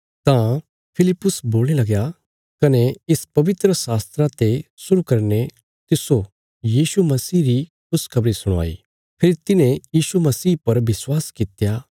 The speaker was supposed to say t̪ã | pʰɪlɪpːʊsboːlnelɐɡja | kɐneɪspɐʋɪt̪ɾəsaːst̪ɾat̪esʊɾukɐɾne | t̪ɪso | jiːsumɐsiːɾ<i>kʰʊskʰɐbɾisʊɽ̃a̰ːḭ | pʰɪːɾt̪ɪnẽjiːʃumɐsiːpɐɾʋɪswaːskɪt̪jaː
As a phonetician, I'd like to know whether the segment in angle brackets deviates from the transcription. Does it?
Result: no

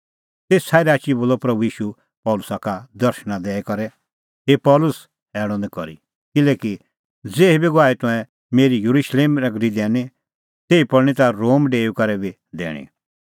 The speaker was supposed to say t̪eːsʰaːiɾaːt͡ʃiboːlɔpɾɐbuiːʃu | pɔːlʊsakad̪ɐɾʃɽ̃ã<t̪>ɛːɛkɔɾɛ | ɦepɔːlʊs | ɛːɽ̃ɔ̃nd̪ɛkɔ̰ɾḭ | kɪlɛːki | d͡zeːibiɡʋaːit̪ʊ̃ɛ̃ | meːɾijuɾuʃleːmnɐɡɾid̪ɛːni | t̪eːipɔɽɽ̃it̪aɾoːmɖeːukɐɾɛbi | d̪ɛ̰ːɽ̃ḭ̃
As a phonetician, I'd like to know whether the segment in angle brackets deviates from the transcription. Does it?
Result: yes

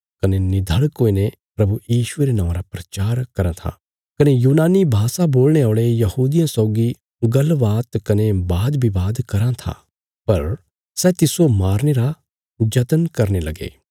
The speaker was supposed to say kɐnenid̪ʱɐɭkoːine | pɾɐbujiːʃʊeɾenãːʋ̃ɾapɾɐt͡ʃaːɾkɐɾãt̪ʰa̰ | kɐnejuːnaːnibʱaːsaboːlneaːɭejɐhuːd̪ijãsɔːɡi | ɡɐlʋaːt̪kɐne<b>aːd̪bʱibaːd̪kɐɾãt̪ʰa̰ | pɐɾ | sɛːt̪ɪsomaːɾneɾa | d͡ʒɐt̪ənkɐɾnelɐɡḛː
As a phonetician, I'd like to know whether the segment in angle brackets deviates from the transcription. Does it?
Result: no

